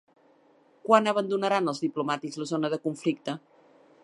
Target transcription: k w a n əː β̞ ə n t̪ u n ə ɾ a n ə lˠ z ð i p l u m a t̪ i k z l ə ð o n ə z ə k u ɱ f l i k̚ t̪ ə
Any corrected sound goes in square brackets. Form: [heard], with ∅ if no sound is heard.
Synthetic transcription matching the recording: k w a n [ə] β̞ ə n [d̪] u n ə ɾ a n ə lˠ z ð i p l u m a t̪ i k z l ə [z] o n ə [ð] ə k u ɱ f l i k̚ t̪ ə